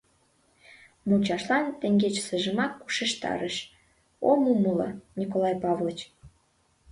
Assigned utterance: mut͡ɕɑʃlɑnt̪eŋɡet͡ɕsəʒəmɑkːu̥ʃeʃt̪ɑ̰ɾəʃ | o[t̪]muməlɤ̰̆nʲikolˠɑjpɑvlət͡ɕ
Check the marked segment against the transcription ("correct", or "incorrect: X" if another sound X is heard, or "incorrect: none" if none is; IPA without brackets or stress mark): incorrect: none